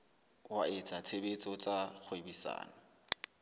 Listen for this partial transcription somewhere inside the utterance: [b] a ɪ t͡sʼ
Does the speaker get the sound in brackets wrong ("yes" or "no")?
yes